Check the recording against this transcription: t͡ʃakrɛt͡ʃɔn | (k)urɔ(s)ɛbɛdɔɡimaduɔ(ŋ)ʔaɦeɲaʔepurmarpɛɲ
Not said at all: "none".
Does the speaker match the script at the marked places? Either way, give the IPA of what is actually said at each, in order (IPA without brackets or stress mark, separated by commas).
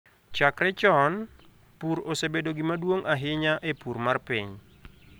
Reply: p, s, ŋ